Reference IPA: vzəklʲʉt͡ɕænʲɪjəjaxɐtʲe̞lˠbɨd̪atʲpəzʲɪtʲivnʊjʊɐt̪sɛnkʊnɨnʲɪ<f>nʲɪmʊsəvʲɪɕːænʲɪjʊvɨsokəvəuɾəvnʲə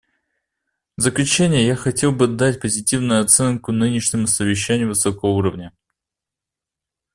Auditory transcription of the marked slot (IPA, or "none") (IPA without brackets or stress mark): ʂ